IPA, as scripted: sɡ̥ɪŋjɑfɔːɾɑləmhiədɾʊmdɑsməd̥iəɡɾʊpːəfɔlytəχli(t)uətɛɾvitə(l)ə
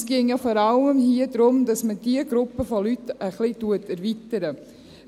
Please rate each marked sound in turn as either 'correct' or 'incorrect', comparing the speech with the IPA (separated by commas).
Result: correct, incorrect